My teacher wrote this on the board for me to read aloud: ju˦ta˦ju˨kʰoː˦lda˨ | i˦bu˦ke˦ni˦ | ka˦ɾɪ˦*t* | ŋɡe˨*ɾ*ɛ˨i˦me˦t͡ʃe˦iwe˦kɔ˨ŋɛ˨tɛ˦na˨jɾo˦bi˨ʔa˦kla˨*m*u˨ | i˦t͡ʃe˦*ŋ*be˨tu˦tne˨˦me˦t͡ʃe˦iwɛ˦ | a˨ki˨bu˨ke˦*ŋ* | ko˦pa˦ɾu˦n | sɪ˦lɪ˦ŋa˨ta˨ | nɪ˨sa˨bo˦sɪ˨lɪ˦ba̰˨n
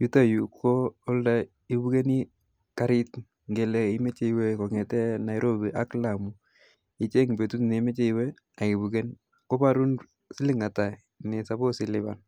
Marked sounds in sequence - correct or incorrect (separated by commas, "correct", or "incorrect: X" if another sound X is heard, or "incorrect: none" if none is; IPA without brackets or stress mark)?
correct, incorrect: l, correct, correct, incorrect: n